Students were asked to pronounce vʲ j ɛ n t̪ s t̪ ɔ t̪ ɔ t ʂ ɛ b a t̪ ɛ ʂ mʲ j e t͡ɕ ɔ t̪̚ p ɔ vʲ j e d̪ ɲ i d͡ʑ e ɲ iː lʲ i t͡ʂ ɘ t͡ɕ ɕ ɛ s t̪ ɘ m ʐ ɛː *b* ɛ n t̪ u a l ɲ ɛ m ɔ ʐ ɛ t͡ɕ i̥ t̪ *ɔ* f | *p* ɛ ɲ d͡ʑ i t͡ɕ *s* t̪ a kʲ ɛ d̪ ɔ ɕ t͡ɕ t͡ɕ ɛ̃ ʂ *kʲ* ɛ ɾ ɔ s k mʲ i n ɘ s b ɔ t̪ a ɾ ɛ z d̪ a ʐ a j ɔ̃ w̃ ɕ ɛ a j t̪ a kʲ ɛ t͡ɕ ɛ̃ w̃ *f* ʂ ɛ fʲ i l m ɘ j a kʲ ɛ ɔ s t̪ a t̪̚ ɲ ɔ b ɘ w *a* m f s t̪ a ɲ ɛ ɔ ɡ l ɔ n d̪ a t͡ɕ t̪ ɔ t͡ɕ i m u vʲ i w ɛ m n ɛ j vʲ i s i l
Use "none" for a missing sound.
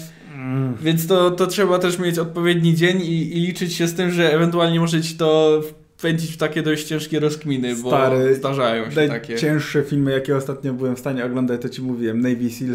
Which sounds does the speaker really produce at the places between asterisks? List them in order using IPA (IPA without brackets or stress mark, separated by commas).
v, ɔ, p, f, kʲ, ʂ, ɛ